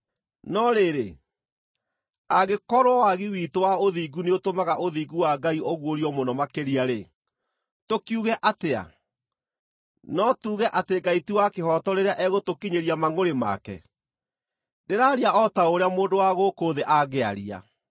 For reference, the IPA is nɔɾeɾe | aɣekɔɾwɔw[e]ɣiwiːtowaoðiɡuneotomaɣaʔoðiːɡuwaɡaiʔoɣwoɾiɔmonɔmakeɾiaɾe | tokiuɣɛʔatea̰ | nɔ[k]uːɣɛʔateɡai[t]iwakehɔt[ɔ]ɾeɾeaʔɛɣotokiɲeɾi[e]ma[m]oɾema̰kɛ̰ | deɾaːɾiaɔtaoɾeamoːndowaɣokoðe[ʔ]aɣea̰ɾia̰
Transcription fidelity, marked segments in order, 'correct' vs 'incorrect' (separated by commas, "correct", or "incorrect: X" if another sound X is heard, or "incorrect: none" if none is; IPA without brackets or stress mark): incorrect: a, incorrect: t, correct, correct, incorrect: a, incorrect: ŋ, correct